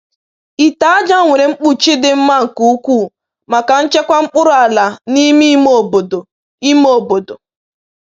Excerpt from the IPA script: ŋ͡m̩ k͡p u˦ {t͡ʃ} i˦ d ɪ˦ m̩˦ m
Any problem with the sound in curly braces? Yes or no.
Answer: no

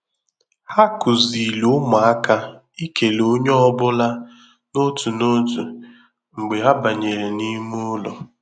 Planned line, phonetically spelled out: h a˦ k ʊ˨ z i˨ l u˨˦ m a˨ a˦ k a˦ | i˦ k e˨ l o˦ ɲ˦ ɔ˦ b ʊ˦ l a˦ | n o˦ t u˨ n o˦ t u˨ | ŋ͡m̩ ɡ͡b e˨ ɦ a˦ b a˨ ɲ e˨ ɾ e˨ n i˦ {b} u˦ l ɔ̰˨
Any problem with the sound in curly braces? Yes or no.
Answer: yes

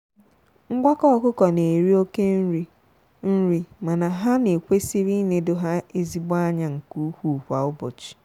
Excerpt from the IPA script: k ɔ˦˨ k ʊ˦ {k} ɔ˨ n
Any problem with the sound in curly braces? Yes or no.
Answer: no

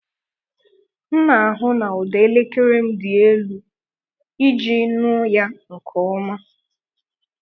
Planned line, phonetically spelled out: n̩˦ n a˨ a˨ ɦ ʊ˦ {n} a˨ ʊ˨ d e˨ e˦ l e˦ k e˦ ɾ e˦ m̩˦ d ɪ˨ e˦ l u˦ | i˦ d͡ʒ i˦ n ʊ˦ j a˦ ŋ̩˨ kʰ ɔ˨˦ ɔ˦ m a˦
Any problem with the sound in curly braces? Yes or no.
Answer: no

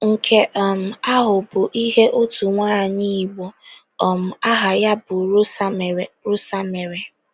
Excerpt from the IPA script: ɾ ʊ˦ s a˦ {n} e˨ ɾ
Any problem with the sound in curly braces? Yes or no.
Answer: yes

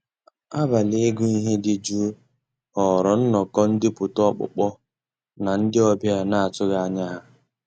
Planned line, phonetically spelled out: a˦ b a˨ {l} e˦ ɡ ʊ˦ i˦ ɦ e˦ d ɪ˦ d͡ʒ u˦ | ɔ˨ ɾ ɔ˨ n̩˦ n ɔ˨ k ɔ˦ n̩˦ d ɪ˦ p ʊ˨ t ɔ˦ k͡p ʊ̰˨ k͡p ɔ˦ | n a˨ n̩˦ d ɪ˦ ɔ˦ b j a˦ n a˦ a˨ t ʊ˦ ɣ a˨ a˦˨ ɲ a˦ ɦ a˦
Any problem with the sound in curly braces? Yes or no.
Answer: no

